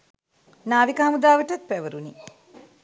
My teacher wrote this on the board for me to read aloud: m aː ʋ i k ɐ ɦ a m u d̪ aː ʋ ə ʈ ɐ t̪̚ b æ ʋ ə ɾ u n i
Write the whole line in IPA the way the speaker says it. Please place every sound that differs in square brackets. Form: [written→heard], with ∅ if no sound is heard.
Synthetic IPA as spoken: [m→n] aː ʋ i k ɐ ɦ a m u d̪ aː ʋ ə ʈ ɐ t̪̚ [b→p] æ ʋ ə ɾ u n i